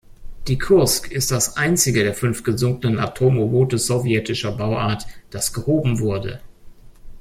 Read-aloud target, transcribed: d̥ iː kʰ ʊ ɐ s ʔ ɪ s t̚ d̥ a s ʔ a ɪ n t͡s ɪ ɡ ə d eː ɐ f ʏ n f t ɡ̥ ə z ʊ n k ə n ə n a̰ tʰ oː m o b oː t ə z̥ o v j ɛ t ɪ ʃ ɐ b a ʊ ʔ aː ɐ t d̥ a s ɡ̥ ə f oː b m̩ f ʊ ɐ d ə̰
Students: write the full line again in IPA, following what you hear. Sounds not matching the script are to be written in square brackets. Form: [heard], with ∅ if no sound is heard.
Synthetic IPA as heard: d̥ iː kʰ ʊ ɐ s [k] ɪ s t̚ d̥ a s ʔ a ɪ n t͡s ɪ ɡ ə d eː ɐ f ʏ n f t ɡ̥ ə z ʊ [ŋ] k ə n ə n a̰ tʰ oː m o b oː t ə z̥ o v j ɛ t ɪ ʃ ɐ b a ʊ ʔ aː ɐ t d̥ a s ɡ̥ ə [h] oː b m̩ [v] ʊ ɐ d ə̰